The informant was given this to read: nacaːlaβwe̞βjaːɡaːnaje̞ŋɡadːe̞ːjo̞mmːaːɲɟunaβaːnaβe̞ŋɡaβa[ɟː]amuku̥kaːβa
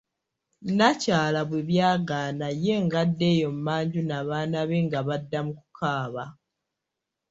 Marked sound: incorrect: dː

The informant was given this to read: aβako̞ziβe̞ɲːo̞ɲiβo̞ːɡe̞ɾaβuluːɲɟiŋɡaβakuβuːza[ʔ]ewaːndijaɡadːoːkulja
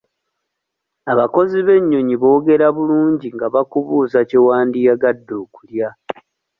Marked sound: incorrect: c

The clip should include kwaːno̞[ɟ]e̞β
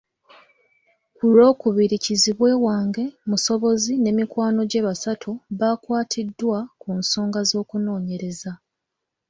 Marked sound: correct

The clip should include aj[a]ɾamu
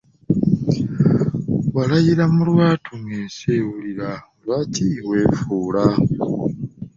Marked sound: incorrect: i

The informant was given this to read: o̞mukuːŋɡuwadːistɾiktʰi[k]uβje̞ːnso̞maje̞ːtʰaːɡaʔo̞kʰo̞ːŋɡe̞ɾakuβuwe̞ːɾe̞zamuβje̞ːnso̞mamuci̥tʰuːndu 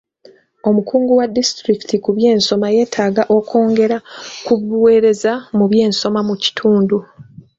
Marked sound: correct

